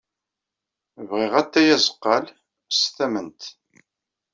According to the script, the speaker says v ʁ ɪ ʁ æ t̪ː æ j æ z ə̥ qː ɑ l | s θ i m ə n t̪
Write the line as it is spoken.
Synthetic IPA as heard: v ʁ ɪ ʁ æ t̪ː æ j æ z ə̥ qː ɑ l | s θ æ m ə n t̪